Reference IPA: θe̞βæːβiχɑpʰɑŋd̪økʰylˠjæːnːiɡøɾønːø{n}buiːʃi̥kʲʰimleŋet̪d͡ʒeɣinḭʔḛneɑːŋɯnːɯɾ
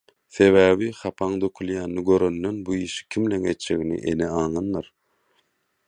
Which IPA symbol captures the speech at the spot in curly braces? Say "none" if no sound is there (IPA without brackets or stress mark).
n